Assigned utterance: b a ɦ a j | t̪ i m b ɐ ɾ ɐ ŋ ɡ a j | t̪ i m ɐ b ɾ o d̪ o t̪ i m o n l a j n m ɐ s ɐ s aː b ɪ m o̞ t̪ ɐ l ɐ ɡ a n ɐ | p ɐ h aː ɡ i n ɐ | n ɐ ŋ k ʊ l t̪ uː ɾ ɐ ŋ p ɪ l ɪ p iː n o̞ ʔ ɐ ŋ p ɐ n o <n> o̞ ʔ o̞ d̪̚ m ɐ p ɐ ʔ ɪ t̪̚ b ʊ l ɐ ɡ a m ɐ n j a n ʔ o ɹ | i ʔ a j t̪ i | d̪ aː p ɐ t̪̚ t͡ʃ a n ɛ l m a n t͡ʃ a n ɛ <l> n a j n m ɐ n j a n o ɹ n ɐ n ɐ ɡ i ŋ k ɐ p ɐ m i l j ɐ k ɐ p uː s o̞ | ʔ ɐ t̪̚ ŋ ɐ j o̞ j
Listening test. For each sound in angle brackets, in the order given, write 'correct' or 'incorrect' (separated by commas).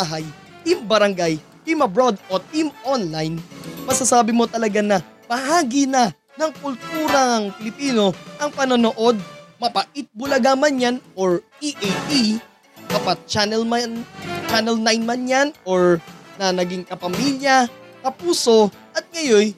correct, correct